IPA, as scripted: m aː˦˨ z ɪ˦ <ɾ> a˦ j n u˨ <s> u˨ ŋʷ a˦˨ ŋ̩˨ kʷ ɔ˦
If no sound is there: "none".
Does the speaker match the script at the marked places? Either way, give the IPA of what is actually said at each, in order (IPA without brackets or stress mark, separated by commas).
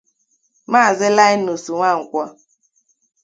l, s